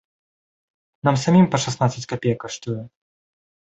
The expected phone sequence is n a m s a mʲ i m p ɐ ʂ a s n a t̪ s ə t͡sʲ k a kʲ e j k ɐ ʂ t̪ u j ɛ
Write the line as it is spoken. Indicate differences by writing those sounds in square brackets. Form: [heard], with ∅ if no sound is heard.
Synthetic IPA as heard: n a m s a mʲ i m p ɐ ʂ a s n a t̪ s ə t͡sʲ k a [pʲ] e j k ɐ ʂ t̪ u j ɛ